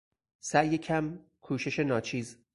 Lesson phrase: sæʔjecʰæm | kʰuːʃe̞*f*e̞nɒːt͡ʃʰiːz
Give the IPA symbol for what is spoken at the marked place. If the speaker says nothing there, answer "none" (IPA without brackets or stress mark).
ʃ